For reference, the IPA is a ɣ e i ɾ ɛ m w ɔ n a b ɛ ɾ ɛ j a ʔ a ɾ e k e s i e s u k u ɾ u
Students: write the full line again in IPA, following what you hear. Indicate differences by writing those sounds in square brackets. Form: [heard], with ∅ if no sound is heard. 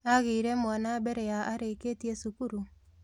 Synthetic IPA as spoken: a ɣ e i ɾ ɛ m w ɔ n a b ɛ ɾ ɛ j a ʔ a ɾ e k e [t] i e s u k u ɾ u